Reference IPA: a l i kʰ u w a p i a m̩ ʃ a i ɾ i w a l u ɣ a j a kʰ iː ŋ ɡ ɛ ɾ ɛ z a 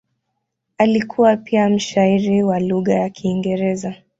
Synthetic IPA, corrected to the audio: a l i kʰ u w a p i a m̩ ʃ a i ɾ i w a l u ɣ a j a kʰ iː ŋ ɡ ɛ ɾ ɛ z a